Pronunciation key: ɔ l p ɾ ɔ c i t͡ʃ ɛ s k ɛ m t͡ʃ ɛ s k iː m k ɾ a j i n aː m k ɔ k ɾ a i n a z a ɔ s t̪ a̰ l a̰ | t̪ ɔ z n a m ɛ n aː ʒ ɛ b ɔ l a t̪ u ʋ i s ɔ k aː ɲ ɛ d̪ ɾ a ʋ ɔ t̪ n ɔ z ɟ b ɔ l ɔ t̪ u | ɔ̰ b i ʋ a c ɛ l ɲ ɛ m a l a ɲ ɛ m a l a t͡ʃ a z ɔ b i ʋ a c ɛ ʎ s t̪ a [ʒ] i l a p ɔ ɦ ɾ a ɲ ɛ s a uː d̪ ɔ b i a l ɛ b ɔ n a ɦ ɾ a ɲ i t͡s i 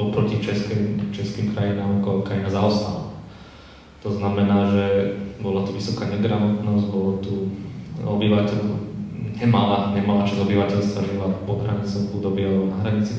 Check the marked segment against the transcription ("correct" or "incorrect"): correct